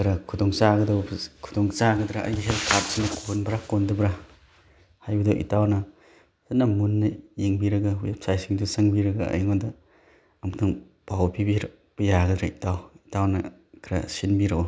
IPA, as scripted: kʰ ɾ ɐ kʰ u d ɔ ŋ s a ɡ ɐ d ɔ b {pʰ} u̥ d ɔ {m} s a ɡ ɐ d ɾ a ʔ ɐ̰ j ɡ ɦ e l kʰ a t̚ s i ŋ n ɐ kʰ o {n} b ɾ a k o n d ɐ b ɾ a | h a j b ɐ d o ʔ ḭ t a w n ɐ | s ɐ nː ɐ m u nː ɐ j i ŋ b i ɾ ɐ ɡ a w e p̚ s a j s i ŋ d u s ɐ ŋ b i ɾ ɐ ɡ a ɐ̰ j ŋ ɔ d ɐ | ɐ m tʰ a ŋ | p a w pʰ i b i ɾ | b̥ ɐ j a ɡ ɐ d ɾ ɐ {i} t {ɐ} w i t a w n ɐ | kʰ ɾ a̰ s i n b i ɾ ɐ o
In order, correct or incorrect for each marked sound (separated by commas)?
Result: incorrect, incorrect, correct, correct, incorrect